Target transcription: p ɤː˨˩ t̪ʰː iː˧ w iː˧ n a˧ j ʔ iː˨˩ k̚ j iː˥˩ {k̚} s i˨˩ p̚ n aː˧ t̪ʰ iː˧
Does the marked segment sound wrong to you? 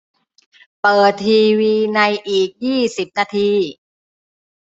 yes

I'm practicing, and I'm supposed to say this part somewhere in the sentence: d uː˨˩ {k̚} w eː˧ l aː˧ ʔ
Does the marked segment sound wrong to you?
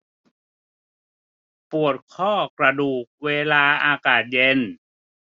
no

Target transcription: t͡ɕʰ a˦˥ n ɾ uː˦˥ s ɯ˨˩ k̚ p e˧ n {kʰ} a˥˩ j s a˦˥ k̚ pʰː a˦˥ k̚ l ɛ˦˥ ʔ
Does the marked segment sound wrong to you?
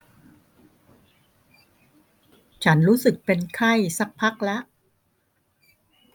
no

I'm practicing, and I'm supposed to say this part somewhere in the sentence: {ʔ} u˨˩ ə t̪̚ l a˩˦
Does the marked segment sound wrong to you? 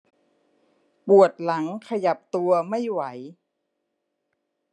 yes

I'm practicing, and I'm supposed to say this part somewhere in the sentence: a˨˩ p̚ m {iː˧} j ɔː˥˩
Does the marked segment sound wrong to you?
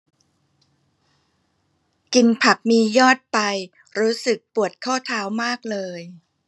no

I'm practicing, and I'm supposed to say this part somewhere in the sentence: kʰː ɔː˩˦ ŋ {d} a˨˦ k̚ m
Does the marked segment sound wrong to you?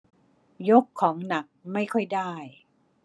yes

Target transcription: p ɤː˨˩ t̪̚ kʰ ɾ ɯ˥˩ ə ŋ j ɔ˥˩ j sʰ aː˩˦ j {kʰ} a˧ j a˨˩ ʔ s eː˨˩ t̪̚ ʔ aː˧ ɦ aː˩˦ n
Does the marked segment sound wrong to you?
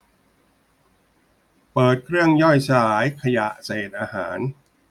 no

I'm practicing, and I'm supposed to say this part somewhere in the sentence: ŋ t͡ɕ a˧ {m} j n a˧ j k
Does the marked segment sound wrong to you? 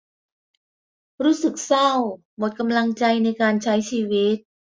yes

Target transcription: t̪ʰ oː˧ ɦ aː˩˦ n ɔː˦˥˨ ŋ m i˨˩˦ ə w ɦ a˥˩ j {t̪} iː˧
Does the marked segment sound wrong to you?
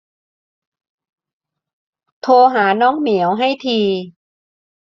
yes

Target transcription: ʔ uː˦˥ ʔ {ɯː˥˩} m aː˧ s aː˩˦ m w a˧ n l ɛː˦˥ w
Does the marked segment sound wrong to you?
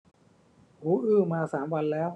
no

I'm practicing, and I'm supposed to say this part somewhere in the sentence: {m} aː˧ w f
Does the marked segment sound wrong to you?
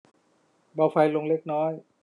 yes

